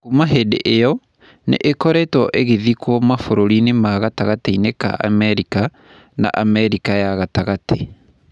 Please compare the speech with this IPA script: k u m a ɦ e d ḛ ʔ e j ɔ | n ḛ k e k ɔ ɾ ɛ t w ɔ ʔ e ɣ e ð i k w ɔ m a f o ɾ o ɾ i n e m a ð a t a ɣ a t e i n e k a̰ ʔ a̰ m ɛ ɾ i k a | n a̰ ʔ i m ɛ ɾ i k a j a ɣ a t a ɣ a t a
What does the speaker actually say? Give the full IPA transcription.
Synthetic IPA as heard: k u m a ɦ e d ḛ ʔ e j ɔ | n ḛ ʔ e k ɔ ɾ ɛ t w ɔ ʔ e ɣ e ð i k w ɔ m a f o ɾ o ɾ i n e m a ɣ a t a ɣ a t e i n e k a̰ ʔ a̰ m ɛ ɾ i k a | n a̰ ʔ a m ɛ ɾ i k a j a ɣ a t a ɣ a t e